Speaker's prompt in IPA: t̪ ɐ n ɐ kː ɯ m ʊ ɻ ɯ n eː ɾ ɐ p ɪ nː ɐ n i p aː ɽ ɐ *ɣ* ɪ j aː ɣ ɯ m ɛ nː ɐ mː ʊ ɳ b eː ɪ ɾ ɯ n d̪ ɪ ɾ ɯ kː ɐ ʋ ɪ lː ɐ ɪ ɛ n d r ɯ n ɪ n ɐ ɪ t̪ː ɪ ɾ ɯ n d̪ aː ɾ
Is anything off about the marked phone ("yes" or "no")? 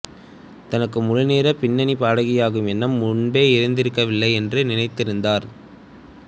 no